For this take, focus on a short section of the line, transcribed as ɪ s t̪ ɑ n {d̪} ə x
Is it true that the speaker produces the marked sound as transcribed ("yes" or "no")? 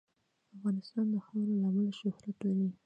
yes